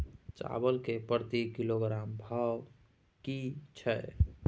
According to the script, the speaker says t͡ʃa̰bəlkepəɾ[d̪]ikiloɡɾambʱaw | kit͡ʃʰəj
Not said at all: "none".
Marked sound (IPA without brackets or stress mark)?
t̪